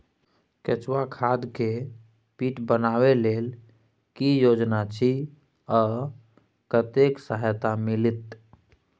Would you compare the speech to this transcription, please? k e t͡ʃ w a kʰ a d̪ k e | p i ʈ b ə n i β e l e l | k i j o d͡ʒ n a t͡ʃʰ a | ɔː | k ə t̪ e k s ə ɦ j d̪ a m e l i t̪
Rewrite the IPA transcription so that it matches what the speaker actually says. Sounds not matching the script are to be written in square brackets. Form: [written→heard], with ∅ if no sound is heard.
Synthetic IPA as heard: k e t͡ʃ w a kʰ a d̪ k e | p i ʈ b ə n [i→a] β e l e l | k i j o d͡ʒ n a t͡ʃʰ [a→i] | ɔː | k ə t̪ e k s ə ɦ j [d̪→t̪] a m [e→i] l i t̪